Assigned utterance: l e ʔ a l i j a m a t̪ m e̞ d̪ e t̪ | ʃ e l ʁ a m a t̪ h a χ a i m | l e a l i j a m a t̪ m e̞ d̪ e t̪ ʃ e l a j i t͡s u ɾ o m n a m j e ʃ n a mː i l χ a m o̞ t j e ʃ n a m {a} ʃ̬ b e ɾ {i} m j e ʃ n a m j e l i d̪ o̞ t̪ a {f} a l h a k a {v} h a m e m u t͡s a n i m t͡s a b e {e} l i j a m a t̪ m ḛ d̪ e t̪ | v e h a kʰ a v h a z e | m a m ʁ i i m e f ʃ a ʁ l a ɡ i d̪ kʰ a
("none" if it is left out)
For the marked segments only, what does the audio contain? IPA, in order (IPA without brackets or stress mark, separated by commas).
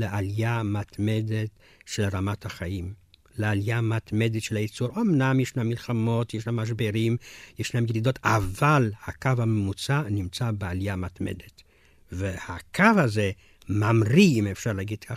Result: a, i, v, v, a